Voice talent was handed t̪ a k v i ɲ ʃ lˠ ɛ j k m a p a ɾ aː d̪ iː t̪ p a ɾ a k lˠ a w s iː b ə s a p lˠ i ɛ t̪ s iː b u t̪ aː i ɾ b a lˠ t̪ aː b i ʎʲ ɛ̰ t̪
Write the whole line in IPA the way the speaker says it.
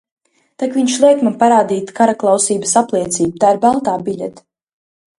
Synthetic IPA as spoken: t̪ a k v i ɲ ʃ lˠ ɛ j k m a p a ɾ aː d̪ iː t̪ k a ɾ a k lˠ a w s iː b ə s a p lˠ i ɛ t̪ s iː b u t̪ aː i ɾ b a lˠ t̪ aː b i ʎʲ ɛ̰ t̪